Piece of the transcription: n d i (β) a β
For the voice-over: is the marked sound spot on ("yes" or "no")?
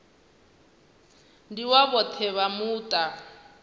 no